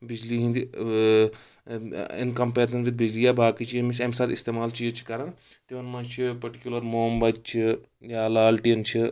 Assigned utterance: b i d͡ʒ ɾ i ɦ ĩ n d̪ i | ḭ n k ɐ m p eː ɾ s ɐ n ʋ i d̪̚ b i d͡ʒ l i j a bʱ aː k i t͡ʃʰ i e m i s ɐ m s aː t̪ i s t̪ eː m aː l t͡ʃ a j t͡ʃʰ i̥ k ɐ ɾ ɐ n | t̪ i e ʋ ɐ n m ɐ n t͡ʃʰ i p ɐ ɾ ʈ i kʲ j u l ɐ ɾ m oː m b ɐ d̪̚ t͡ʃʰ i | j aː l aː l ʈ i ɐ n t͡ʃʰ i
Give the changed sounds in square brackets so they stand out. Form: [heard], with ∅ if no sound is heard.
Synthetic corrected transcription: b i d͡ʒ [l] i ɦ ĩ n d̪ i | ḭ n k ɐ m p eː ɾ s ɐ n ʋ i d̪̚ b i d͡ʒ l i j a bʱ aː k i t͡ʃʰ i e m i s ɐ m s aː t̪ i s t̪ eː m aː l t͡ʃ [i] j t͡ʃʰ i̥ k ɐ ɾ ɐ n | t̪ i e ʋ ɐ n m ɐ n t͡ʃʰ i p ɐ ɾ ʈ i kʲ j u l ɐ ɾ m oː m b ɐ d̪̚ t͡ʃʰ i | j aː l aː l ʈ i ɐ n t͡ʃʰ i